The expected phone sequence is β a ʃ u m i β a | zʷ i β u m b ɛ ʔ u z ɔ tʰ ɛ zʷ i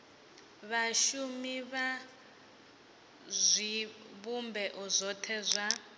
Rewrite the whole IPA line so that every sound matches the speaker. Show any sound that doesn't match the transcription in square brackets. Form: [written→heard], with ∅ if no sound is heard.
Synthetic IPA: β a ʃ u m i β a | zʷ i β u m b ɛ ʔ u z ɔ tʰ ɛ zʷ [i→a]